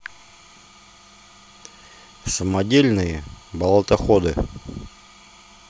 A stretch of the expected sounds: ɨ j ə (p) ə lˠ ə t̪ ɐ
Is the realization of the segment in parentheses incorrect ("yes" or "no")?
yes